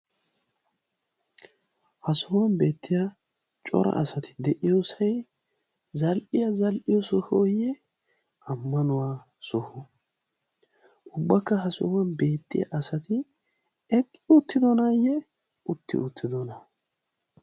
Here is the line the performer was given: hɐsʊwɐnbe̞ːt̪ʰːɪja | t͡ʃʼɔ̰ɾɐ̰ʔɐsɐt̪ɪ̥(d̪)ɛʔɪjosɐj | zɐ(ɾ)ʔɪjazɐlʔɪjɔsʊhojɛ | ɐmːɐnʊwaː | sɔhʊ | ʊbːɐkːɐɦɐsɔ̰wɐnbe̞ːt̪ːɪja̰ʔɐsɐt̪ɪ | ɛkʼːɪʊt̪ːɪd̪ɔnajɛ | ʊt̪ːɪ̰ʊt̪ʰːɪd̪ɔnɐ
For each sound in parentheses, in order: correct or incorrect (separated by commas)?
correct, incorrect